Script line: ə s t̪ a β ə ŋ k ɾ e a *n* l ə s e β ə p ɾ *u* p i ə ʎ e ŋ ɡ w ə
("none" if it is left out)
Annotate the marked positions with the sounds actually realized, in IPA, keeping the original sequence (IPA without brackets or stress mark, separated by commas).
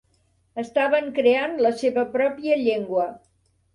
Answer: n, ɔ